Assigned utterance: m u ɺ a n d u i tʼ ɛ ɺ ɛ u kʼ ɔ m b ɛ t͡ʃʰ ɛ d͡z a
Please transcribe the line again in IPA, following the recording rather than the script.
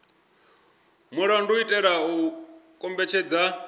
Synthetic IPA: m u ɺ a n d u i tʼ ɛ ɺ a u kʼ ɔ m b ɛ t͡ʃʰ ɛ d͡z a